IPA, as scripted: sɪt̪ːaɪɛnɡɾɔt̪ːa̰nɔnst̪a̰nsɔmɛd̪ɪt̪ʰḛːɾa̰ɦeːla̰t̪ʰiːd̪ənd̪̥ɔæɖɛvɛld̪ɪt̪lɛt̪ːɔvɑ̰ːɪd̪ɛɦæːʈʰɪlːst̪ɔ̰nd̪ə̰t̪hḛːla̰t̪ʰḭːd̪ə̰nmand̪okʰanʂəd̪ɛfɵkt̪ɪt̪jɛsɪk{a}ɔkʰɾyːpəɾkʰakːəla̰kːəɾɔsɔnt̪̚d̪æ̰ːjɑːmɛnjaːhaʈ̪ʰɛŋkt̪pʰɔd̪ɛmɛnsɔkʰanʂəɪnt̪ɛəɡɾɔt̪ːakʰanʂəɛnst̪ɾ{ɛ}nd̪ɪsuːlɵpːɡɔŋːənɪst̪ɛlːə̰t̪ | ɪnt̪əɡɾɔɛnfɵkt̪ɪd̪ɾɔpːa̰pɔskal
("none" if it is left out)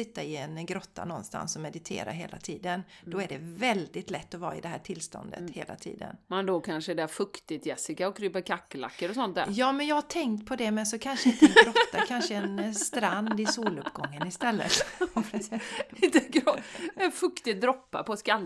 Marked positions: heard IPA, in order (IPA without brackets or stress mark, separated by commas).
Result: a, a